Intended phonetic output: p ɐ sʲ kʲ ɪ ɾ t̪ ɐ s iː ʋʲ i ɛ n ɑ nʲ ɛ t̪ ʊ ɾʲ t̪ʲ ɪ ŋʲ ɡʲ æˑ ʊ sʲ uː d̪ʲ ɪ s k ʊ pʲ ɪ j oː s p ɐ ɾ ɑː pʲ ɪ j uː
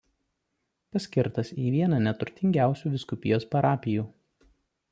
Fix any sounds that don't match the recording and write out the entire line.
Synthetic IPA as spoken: p ɐ sʲ kʲ ɪ ɾ t̪ ɐ s iː ʋʲ i ɛ n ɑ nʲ ɛ t̪ ʊ ɾʲ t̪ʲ ɪ ŋʲ ɡʲ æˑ ʊ sʲ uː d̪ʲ ɪ s k ʊ pʲ ɪ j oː s p ɐ ɾ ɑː pʲ ɪ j uː